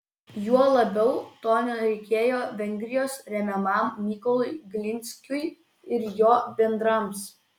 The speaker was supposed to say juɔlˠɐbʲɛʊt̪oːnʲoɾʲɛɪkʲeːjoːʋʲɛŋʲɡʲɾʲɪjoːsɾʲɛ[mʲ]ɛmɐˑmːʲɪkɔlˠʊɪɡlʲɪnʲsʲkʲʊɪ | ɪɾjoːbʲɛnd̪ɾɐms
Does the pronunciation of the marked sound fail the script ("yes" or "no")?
no